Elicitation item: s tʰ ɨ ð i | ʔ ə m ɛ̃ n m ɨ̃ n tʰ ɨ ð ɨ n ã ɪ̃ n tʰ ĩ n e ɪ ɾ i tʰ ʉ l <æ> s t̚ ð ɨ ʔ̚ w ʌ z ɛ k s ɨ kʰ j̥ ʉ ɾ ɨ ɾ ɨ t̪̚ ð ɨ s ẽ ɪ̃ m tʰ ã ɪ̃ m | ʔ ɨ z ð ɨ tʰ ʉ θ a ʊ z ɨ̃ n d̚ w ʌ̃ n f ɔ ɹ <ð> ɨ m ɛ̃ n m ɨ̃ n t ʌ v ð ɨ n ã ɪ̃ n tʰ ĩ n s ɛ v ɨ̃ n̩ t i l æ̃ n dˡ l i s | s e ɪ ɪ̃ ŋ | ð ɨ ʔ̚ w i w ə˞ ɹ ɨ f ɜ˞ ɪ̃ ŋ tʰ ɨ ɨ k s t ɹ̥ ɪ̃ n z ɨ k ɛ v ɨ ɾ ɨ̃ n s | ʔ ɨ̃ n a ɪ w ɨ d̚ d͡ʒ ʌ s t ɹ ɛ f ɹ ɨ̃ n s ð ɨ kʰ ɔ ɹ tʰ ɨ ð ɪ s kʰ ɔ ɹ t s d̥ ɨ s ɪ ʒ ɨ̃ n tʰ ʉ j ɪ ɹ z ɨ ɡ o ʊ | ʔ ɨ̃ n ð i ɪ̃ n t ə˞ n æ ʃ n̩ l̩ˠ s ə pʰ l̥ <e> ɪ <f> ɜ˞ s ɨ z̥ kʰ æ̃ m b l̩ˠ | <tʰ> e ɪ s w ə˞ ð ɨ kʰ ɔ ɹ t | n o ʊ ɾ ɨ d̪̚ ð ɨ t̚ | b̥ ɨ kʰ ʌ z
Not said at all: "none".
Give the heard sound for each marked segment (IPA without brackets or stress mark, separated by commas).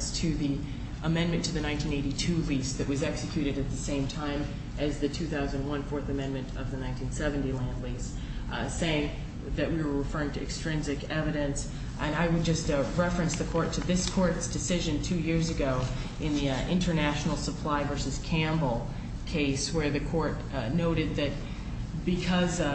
i, θ, a, v, kʰ